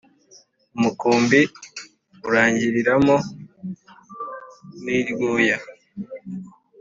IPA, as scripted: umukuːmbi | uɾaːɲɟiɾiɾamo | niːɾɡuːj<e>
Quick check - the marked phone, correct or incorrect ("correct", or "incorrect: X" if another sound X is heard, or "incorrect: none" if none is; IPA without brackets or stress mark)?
incorrect: a